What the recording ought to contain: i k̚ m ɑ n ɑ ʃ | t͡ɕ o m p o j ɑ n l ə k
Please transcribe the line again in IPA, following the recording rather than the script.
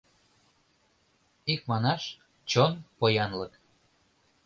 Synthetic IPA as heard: i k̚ m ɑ n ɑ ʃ | t͡ɕ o n p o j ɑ n l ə k